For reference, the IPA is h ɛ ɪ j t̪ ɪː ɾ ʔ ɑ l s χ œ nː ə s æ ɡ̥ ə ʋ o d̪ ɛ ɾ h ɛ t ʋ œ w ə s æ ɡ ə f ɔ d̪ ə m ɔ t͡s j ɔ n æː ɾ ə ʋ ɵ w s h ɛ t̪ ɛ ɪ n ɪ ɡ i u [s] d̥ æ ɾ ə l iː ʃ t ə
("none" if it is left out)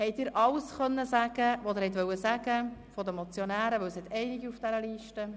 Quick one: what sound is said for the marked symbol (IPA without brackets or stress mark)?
f